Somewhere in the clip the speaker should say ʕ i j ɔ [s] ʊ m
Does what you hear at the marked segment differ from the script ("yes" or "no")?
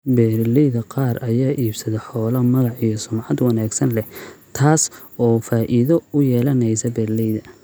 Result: no